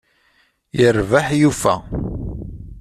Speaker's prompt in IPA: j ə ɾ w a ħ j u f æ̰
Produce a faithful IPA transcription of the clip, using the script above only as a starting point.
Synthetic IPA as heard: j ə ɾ v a ħ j u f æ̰